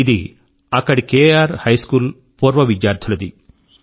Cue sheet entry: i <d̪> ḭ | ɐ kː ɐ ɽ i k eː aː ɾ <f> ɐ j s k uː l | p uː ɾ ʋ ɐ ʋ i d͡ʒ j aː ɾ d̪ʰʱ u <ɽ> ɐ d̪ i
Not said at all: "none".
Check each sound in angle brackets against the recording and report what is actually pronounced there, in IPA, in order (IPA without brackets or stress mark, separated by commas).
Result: d̪, h, l